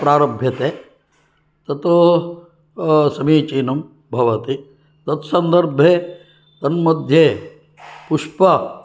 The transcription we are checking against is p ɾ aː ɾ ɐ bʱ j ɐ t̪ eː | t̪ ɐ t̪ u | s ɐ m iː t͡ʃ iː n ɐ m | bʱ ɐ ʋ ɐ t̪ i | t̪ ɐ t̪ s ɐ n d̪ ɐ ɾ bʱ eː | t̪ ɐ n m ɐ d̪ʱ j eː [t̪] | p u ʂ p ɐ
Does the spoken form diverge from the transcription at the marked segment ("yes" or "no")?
yes